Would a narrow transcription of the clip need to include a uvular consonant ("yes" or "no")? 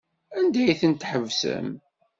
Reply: no